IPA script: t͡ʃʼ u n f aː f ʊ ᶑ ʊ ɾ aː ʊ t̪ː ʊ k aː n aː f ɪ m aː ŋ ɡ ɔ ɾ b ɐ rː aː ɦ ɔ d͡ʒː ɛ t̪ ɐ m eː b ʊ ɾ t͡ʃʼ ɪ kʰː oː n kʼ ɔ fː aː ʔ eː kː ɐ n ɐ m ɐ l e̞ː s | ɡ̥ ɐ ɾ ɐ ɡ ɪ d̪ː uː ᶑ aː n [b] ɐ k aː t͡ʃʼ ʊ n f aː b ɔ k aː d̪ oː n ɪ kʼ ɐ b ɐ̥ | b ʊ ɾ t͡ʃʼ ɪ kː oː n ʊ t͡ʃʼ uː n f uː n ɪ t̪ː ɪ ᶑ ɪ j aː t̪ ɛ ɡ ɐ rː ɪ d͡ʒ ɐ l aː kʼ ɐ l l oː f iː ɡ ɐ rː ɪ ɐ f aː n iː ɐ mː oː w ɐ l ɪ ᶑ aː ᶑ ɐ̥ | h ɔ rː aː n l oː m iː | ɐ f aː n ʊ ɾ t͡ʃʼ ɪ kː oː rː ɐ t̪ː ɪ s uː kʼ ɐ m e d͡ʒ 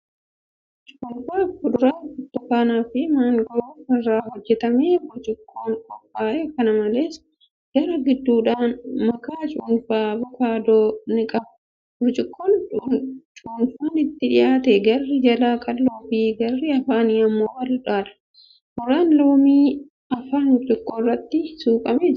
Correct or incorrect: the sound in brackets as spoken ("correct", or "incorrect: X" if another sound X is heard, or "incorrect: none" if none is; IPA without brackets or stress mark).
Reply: incorrect: m